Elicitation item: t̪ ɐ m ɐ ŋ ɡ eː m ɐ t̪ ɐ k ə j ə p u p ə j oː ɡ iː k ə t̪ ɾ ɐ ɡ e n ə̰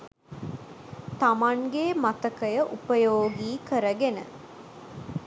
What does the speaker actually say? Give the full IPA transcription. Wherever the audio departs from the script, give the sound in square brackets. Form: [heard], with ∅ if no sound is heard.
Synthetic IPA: t̪ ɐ m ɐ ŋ ɡ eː m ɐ t̪ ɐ k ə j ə [ʔ] u p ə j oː ɡ iː k ə [∅] ɾ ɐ ɡ e n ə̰